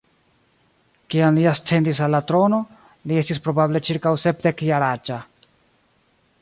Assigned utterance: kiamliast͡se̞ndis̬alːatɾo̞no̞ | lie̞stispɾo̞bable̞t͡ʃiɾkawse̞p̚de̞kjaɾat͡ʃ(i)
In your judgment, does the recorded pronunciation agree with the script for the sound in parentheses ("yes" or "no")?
no